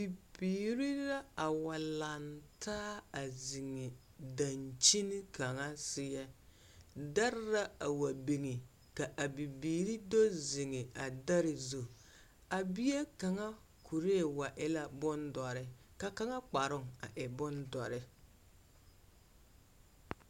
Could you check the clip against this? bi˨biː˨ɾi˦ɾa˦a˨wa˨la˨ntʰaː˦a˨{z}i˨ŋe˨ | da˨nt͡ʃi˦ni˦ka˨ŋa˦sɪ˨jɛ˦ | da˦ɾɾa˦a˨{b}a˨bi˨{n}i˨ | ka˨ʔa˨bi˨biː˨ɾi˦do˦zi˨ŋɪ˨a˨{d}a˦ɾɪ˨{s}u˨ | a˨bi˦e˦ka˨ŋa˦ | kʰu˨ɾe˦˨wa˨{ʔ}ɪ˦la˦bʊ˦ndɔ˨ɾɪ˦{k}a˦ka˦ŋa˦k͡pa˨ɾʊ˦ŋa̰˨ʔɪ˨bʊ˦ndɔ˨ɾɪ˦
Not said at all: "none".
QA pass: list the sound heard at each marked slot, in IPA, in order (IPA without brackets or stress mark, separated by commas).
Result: z, w, ŋ, d, z, ʔ, k